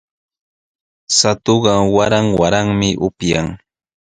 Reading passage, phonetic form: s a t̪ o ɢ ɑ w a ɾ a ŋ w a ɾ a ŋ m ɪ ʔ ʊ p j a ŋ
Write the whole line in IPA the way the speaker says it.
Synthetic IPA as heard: s a t̪ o ɢ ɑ w a ɾ a ŋ w a ɾ a ŋ m ɪ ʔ ʊ p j a ŋ